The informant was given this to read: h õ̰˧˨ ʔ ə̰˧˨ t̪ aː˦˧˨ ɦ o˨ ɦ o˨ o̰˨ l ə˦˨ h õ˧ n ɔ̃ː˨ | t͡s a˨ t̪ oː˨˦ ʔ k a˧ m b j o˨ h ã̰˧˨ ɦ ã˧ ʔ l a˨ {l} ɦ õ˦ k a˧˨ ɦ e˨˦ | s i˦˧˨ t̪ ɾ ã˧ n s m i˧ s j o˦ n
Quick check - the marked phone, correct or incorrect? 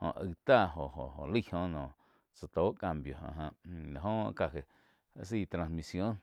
incorrect